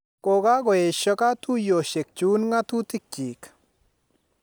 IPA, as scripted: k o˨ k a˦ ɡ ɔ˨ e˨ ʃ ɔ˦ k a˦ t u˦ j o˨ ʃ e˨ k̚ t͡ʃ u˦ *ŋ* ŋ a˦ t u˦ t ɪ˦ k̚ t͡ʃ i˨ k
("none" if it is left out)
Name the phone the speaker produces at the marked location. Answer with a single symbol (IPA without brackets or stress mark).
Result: n